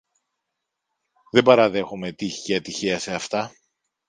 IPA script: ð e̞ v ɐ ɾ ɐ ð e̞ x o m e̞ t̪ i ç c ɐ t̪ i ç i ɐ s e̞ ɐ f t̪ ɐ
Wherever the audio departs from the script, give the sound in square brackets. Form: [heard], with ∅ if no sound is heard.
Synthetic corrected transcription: ð e̞ [b] ɐ ɾ ɐ ð e̞ x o m e̞ t̪ i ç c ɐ t̪ i ç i ɐ s e̞ ɐ f t̪ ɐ